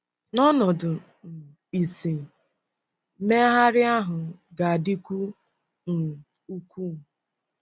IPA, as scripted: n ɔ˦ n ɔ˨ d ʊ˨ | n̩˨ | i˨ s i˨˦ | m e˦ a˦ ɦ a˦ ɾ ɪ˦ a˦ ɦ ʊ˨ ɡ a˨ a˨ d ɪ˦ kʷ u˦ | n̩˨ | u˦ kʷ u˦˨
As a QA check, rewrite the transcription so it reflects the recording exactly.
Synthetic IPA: n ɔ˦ n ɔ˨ d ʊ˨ | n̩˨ | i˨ s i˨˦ | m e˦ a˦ ɦ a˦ ɾ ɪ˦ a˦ ɦ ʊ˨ ɡ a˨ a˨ d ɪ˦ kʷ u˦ | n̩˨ | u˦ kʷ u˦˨